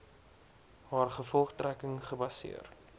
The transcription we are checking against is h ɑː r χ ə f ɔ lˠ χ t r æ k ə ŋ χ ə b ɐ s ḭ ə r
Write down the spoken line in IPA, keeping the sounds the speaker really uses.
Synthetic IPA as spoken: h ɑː r χ ə f ɔ lˠ χ t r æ k ə ŋ χ ə b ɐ s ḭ ə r